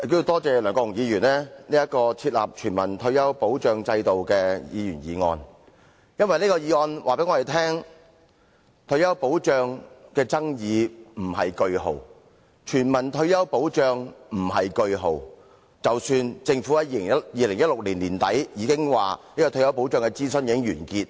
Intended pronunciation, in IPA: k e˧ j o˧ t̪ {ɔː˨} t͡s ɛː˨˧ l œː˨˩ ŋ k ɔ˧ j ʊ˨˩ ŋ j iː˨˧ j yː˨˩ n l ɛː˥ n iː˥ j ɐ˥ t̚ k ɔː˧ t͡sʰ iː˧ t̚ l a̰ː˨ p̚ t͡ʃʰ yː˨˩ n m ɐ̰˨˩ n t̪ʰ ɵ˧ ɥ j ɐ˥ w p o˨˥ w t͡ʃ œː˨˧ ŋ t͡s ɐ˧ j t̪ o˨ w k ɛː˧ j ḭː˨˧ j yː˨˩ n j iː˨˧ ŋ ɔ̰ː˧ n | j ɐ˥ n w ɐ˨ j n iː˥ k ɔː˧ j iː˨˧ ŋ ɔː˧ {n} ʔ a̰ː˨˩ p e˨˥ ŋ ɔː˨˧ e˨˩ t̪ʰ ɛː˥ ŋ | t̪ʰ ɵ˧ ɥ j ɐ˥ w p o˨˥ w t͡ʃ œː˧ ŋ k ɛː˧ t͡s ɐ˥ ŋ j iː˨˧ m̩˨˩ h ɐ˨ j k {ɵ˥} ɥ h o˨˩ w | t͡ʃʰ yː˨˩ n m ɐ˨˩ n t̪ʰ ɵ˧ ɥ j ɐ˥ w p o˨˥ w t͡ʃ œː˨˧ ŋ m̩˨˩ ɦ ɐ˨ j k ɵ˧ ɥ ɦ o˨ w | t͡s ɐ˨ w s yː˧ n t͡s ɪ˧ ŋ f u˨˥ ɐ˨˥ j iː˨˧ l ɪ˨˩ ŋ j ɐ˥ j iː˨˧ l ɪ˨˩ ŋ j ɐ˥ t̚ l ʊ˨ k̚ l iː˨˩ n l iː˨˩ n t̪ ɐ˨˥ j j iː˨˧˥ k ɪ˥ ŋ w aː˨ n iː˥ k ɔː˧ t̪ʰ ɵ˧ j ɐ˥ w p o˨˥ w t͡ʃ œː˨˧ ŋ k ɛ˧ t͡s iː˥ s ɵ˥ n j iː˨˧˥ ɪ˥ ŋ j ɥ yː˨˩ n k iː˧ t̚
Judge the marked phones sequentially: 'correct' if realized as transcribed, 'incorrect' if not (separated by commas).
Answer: incorrect, correct, incorrect